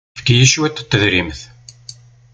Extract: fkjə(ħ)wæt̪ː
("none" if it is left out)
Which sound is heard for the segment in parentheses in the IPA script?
ʃ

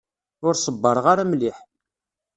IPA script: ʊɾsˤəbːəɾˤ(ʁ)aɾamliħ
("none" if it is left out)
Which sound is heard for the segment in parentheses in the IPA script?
ʁ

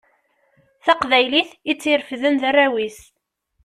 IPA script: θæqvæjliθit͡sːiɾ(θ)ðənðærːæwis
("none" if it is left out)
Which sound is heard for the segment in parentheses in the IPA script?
f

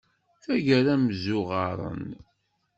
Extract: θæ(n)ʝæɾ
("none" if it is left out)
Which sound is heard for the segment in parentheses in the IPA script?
none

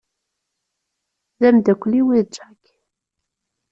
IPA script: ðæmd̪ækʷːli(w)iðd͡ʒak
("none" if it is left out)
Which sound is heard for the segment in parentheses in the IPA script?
w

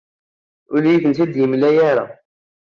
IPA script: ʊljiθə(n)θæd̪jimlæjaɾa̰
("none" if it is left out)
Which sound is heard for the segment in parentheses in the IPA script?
n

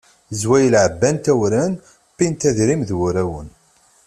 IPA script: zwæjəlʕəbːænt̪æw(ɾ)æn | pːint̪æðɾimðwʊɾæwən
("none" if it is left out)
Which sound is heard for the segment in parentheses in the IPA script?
ɾ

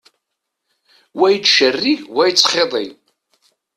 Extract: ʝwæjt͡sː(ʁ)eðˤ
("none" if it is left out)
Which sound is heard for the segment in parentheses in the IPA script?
χ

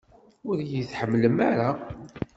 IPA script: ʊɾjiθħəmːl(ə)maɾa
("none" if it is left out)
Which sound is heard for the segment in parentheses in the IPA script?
ə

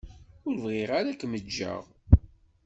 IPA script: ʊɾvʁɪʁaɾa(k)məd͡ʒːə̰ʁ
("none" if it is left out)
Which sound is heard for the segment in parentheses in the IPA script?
k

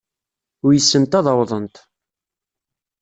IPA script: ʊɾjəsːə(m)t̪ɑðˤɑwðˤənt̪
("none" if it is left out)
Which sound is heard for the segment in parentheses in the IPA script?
n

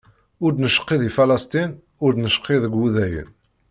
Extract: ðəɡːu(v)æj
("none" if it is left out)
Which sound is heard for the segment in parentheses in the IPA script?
ð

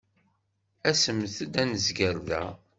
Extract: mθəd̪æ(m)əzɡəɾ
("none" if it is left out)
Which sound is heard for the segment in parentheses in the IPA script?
n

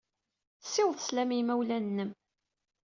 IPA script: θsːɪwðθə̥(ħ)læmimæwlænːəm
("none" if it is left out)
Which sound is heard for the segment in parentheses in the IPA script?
s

